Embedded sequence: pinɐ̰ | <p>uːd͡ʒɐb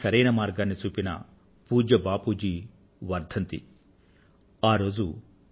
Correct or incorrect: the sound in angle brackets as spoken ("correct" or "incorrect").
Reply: correct